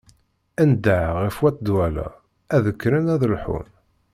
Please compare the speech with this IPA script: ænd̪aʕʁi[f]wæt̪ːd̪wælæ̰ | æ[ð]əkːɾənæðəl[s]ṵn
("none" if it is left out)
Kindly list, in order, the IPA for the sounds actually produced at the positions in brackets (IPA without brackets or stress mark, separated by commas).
f, ð, ħ